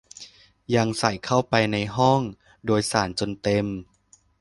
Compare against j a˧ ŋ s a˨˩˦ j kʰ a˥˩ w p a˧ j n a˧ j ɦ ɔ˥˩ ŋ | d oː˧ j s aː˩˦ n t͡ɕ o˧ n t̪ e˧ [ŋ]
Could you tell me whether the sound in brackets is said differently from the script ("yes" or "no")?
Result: yes